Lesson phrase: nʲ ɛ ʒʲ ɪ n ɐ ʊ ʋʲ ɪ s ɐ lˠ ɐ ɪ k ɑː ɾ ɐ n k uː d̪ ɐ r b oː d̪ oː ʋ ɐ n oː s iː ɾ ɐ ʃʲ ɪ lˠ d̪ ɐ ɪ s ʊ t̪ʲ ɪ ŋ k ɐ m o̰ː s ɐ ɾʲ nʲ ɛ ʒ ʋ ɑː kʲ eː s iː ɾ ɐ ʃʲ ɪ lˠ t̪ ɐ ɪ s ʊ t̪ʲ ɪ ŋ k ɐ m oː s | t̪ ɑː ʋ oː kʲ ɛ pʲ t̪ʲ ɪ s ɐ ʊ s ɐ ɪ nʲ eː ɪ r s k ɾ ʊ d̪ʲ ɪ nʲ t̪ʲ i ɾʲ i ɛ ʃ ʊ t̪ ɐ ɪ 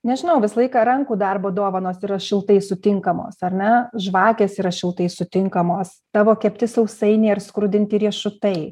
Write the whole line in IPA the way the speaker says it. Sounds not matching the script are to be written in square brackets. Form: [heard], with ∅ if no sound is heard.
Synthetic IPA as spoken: nʲ ɛ ʒʲ ɪ n ɐ ʊ ʋʲ ɪ s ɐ lˠ ɐ ɪ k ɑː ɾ ɐ [ŋ] k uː d̪ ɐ r b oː d̪ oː ʋ ɐ n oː s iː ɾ ɐ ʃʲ ɪ lˠ [t̪] ɐ ɪ s ʊ t̪ʲ ɪ ŋ k ɐ m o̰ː s ɐ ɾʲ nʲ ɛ ʒ ʋ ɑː kʲ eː s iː ɾ ɐ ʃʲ ɪ lˠ t̪ ɐ ɪ s ʊ t̪ʲ ɪ ŋ k ɐ m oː s | t̪ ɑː ʋ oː kʲ ɛ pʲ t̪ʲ ɪ s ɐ ʊ s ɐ ɪ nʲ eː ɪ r s k ɾ ʊ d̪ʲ ɪ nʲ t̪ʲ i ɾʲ i ɛ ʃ ʊ t̪ ɐ ɪ